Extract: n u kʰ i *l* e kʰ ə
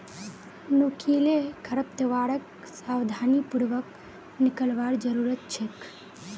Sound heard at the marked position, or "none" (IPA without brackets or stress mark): l